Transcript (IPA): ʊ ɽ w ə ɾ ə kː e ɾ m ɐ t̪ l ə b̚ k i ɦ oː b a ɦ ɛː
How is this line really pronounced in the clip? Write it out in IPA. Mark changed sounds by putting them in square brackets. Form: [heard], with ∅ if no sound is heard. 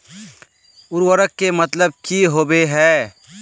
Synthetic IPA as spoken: ʊ [ɾ] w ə ɾ ə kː e [∅] m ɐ t̪ l ə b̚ k i ɦ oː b [e] ɦ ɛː